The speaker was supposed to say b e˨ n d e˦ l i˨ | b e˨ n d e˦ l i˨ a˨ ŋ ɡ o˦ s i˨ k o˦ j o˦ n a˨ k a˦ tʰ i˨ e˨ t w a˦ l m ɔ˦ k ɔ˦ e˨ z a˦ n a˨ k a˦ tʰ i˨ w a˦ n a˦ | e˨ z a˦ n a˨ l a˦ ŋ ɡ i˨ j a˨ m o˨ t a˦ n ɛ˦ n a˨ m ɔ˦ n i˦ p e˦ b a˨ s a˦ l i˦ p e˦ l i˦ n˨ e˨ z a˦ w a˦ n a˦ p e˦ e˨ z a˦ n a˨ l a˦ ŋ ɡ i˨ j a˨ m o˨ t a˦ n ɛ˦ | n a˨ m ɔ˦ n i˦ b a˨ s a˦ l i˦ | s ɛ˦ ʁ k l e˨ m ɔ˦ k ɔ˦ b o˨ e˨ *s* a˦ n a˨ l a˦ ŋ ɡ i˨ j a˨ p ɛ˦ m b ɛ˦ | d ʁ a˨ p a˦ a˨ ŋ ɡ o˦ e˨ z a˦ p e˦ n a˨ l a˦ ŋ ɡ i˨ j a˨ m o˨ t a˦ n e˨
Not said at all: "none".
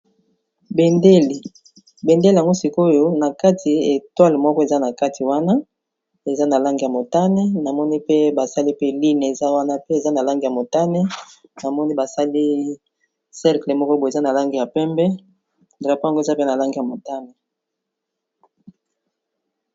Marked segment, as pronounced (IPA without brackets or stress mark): z